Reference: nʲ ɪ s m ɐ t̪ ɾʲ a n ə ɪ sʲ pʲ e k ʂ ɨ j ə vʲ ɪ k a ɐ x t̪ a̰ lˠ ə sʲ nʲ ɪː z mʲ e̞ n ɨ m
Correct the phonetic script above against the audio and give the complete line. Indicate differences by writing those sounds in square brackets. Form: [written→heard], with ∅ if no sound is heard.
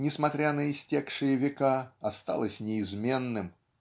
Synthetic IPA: nʲ ɪ s m ɐ t̪ ɾʲ a n ə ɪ sʲ [pʲ→tʲ] e k ʂ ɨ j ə vʲ ɪ k a ɐ [x→s] t̪ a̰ lˠ ə sʲ nʲ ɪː z mʲ e̞ [n→nː] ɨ m